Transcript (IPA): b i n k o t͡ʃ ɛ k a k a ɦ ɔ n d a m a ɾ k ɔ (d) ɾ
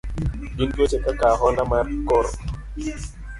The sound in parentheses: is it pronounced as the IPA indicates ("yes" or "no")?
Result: no